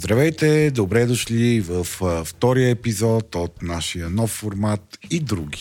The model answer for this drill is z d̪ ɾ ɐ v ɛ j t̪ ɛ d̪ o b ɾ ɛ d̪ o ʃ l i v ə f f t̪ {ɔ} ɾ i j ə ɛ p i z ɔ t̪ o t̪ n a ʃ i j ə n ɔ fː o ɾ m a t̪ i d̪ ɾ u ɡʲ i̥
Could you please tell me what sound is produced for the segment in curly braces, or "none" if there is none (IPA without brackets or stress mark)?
ɔ